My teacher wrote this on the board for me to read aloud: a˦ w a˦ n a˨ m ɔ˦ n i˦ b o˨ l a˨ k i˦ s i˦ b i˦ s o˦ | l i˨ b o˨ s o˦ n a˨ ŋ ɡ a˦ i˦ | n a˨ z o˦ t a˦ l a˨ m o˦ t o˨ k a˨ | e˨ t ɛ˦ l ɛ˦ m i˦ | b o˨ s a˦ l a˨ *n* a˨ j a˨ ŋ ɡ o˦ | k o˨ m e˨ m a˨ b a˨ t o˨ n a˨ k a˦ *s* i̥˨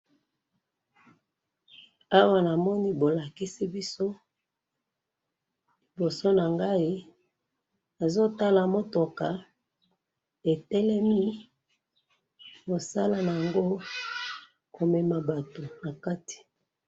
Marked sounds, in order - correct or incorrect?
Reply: correct, incorrect

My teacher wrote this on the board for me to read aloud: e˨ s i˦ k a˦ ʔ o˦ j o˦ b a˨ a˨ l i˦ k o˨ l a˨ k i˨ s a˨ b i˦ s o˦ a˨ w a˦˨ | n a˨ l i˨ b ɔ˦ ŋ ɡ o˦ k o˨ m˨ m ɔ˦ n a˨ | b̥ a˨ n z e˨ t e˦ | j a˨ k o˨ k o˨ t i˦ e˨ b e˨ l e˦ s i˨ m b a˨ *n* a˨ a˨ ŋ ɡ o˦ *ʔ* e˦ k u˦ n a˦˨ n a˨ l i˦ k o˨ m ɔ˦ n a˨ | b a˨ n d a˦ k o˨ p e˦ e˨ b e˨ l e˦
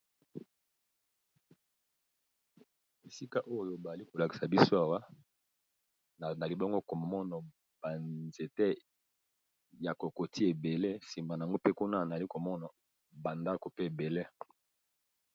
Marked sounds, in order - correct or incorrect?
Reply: correct, incorrect

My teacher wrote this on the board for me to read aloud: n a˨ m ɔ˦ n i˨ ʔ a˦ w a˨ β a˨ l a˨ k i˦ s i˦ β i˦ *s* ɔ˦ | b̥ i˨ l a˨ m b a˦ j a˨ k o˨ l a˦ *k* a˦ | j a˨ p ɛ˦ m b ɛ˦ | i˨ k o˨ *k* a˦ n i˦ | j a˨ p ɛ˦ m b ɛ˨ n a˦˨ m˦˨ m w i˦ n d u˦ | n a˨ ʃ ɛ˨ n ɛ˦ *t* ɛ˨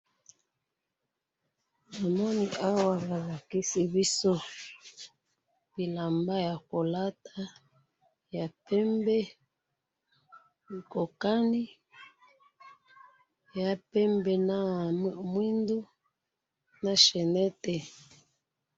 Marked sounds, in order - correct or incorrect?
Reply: correct, incorrect, correct, correct

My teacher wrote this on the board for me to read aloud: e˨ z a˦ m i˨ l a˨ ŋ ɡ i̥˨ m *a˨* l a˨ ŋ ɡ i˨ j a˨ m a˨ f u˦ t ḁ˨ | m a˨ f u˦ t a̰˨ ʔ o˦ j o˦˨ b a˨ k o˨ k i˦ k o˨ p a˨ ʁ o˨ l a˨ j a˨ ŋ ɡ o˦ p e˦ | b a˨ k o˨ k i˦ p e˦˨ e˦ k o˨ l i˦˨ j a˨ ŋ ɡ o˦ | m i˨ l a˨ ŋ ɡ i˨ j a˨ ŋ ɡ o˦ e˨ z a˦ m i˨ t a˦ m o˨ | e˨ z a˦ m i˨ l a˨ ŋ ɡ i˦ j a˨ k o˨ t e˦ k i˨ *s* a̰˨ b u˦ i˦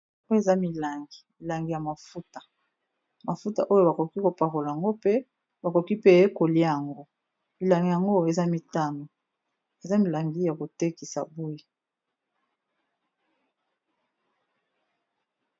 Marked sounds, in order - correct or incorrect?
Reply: incorrect, correct

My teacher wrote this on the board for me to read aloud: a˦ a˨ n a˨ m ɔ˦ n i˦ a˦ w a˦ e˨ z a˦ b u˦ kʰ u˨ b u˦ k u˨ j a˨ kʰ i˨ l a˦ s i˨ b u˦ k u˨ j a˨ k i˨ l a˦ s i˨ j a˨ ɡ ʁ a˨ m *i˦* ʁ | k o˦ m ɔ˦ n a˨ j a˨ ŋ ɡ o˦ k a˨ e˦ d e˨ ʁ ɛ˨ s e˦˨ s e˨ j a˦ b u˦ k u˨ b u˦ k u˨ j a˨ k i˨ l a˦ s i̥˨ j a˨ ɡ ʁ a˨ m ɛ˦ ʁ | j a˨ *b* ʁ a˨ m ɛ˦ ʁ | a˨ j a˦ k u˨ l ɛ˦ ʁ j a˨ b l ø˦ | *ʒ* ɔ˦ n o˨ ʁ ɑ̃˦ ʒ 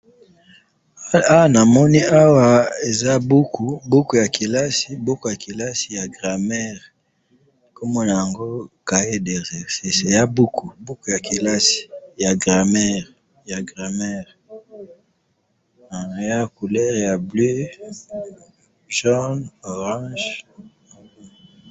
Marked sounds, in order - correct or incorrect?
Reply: incorrect, incorrect, correct

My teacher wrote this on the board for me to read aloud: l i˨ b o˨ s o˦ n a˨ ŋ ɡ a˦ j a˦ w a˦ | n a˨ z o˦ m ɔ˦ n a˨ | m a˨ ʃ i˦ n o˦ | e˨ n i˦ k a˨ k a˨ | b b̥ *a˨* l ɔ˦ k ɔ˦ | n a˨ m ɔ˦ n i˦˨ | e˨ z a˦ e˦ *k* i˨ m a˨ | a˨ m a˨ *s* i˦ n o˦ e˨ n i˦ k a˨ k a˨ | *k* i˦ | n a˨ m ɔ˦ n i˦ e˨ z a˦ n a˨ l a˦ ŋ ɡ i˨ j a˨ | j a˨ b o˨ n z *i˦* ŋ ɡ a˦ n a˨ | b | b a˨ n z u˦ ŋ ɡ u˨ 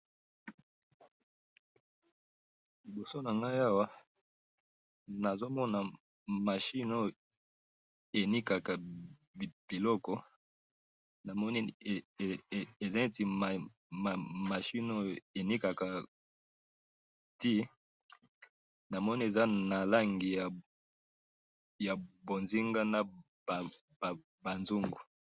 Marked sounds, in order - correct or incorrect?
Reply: incorrect, incorrect, incorrect, incorrect, correct

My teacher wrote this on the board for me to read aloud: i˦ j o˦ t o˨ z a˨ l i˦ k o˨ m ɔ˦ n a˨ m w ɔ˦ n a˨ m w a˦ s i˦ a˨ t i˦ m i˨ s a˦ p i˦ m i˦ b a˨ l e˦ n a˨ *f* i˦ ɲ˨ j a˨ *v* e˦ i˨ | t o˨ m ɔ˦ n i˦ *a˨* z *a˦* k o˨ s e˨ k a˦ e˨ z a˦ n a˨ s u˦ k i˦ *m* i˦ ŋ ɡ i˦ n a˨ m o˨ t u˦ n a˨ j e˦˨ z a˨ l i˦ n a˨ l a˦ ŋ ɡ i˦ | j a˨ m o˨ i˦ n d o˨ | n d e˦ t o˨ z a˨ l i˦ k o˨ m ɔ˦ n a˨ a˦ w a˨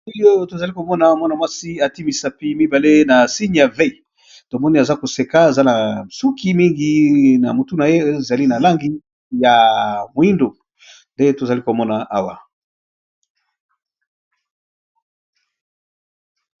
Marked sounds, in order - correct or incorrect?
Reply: incorrect, correct, correct, correct, correct

